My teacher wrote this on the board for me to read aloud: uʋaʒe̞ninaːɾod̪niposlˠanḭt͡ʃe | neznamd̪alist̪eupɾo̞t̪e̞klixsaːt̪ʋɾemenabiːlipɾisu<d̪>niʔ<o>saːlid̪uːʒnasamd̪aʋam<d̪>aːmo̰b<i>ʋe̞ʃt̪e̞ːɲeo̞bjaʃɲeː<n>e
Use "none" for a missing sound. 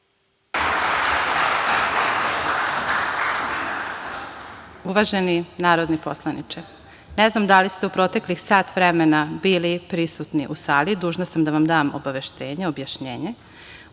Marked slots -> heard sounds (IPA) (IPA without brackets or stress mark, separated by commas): t̪, u, d̪, a, ɲ